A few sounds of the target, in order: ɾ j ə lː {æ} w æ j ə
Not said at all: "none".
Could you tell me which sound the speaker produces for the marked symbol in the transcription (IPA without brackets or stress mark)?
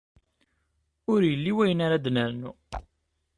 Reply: i